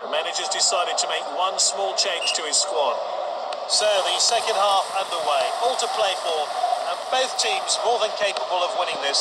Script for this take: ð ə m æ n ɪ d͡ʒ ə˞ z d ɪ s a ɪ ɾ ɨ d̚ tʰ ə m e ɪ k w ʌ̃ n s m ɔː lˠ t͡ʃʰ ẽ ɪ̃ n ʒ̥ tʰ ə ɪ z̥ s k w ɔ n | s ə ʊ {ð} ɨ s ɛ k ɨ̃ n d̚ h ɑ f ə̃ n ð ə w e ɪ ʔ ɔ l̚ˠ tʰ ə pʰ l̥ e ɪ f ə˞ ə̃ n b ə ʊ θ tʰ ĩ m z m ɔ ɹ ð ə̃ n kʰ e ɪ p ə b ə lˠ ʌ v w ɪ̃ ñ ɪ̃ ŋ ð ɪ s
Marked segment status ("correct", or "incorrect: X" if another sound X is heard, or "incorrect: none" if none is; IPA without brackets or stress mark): correct